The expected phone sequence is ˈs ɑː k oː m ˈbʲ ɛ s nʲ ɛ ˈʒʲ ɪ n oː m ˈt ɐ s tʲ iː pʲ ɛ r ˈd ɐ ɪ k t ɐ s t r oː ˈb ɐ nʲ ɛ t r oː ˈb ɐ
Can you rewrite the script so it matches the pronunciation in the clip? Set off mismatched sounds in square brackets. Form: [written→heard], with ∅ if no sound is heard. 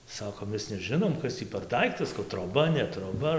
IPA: ˈs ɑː k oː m [ˈbʲ→ˈmʲ] ɛ s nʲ ɛ ˈʒʲ ɪ n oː m [ˈt→ˈk] ɐ s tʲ iː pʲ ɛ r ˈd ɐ ɪ k t ɐ s t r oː ˈb ɐ nʲ ɛ t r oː ˈb ɐ